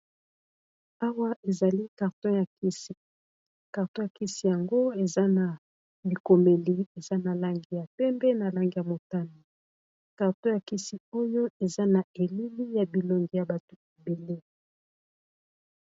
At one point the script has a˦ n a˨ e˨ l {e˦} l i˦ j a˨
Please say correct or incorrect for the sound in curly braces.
incorrect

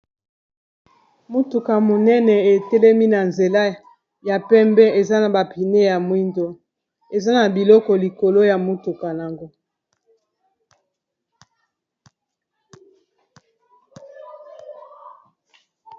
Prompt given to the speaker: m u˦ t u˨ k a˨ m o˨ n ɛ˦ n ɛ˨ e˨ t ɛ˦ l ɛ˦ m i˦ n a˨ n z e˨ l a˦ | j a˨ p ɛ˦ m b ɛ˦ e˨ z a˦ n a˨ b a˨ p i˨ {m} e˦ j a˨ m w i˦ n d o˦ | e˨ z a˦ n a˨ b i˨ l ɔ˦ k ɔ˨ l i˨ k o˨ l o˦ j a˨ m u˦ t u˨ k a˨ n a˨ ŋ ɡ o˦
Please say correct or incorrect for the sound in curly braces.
incorrect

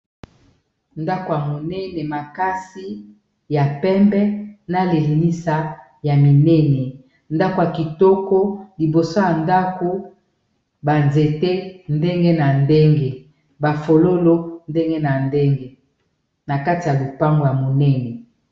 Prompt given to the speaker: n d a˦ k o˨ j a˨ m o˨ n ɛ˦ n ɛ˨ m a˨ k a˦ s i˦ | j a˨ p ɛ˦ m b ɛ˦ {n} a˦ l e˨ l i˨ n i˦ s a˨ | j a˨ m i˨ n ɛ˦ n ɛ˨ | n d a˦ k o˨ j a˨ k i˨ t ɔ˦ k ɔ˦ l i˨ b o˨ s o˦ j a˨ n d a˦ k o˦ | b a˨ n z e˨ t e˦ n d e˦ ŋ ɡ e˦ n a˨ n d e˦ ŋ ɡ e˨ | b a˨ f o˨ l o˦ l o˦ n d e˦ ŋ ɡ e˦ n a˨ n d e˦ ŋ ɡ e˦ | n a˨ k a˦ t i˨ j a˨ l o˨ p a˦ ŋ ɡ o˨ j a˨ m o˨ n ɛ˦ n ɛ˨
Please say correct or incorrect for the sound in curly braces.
correct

